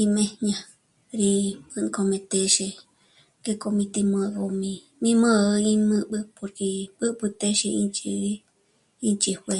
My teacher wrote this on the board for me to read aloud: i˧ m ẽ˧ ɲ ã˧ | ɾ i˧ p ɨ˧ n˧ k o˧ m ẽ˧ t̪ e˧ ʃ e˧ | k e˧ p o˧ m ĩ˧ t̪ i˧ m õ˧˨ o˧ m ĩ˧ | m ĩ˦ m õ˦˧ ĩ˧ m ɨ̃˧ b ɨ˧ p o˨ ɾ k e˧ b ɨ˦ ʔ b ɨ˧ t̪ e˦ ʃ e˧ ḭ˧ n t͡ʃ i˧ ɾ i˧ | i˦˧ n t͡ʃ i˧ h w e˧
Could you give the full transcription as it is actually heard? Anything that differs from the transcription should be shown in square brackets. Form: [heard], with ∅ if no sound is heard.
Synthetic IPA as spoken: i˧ m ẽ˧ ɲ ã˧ | ɾ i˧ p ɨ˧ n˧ k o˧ m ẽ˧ t̪ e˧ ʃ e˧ | k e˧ [k] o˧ m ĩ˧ t̪ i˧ m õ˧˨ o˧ m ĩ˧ | m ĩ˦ m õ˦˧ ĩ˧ m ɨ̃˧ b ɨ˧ p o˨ ɾ k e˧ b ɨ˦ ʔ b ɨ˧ t̪ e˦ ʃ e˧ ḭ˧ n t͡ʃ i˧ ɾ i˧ | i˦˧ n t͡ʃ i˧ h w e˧